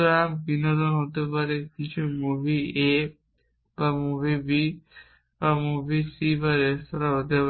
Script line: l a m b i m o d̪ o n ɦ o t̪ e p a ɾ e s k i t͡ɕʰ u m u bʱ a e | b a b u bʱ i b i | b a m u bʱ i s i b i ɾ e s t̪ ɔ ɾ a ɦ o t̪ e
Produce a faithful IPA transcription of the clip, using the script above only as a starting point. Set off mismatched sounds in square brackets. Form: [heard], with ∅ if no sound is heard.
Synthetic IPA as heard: [ɾ] a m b i [n] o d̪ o n ɦ o t̪ e p a ɾ e [∅] k i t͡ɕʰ u m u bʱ [i] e | b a [m] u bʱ i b i | b a m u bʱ i s i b [a] ɾ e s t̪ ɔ ɾ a ɦ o t̪ e